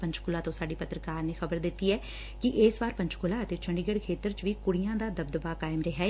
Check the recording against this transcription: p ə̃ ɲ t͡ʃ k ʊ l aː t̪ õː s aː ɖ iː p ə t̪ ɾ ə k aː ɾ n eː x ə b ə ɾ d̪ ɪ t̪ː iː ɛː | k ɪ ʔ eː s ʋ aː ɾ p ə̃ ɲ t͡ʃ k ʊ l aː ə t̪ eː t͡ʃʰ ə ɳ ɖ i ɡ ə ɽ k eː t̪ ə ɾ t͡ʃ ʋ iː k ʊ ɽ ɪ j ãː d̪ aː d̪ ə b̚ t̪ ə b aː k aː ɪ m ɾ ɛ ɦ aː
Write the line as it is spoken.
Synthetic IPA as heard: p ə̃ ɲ t͡ʃ k ʊ l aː t̪ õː s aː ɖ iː p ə t̪ ɾ ə k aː ɾ n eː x ə b ə ɾ d̪ ɪ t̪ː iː ɛː | k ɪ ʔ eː s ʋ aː ɾ p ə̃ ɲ t͡ʃ k ʊ l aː ə t̪ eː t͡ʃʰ ə ɳ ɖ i ɡ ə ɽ kʰ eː t̪ ə ɾ t͡ʃ ʋ iː k ʊ ɽ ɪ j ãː d̪ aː d̪ ə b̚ d̪ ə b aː k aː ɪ m ɾ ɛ ɦ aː